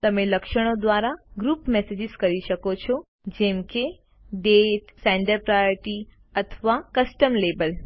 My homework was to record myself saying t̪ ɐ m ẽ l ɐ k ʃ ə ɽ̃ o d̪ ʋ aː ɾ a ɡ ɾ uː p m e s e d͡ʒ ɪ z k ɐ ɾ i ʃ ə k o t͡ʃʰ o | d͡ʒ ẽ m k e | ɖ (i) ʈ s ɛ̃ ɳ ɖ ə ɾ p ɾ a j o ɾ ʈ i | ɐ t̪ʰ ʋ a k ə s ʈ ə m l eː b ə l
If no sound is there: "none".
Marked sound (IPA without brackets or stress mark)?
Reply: e